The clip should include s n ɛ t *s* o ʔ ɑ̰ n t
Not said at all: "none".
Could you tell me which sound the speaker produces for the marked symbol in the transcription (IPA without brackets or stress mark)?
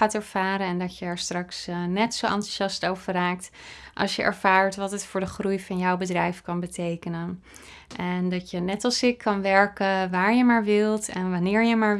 s